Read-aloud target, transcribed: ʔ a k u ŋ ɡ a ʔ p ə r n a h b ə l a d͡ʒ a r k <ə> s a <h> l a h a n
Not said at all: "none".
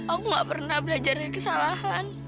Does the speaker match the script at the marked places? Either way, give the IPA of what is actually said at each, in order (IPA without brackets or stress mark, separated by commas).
ə, none